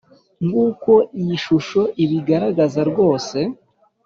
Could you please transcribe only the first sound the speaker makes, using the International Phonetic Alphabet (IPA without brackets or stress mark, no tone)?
ŋ